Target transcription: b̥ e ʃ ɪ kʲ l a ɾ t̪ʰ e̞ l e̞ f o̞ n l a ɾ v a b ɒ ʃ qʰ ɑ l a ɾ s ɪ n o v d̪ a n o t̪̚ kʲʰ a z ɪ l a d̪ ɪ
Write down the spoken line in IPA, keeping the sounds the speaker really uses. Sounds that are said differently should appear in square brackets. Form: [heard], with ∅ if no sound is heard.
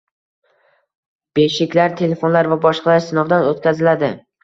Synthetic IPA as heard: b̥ e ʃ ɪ kʲ l a ɾ t̪ʰ e̞ l e̞ f o̞ n l a ɾ v a b ɒ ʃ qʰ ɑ l a ɾ s ɪ n [ɒ] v d̪ a n o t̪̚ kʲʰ a z ɪ l a d̪ ɪ